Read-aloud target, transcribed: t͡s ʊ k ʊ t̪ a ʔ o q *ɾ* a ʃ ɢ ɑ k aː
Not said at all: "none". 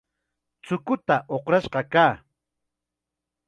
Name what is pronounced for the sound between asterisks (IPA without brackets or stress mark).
ɾ